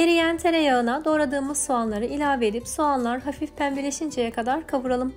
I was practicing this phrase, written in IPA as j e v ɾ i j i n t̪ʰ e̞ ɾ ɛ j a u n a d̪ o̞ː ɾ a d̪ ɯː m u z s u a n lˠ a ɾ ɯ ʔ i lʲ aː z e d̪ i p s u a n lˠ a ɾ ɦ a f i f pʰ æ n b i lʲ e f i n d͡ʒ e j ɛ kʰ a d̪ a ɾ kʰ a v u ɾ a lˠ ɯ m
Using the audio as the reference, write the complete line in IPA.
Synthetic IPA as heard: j e ɾ i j æ n t̪ʰ e̞ ɾ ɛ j a ɯ n a d̪ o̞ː ɾ a d̪ ɯː m ɯ z s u a n lˠ a ɾ ɯ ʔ i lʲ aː v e d̪ i p s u a n lˠ a ɾ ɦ a f i f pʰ æ n b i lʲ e ʃ i n d͡ʒ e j ɛ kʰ a d̪ a ɾ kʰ a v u ɾ a lˠ ɯ m